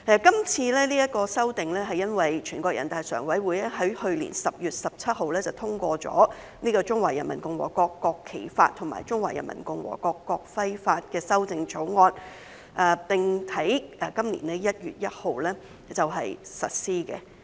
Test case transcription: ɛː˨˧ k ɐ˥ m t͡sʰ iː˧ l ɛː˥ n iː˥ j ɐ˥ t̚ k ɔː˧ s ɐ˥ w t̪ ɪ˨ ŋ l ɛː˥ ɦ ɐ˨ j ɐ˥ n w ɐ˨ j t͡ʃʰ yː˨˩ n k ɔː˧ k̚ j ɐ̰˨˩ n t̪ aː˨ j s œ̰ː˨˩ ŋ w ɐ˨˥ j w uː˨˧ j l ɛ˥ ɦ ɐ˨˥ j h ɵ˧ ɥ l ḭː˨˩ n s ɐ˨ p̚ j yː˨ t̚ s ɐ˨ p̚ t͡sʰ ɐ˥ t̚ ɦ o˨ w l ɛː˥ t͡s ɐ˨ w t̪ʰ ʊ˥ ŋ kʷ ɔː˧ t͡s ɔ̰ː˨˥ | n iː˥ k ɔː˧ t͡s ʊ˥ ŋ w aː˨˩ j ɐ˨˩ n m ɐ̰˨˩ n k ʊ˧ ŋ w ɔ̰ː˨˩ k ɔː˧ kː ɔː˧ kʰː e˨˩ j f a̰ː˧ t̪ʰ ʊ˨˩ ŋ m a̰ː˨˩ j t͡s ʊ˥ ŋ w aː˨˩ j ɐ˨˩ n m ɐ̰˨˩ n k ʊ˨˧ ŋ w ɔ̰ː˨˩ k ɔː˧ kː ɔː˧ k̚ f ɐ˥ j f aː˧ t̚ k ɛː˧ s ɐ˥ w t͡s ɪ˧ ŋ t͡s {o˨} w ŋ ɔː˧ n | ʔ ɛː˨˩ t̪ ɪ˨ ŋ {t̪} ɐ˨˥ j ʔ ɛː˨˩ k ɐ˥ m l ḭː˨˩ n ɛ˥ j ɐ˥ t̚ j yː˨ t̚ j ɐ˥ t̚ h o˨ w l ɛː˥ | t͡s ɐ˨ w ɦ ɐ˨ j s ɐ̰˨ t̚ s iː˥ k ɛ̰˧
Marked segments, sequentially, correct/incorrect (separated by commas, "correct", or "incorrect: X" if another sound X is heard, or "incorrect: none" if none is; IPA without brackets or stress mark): incorrect: o˨˥, incorrect: t̪ʰ